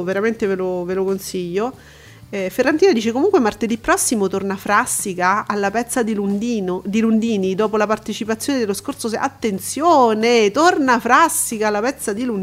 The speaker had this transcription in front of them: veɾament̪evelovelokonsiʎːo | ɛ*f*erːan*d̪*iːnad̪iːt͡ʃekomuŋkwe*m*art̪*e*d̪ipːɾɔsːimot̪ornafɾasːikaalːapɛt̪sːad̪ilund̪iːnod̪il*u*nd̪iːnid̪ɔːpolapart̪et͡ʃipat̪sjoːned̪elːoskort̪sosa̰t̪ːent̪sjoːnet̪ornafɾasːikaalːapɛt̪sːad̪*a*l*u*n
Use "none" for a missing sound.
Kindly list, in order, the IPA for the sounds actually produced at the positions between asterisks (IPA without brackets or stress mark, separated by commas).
f, t̪, m, e, u, i, u